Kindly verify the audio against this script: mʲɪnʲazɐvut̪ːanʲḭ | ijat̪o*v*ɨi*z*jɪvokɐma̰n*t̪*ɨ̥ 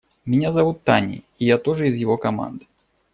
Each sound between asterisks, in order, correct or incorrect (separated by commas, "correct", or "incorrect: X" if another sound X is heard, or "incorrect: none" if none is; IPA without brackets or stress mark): incorrect: ʐ, correct, incorrect: d̪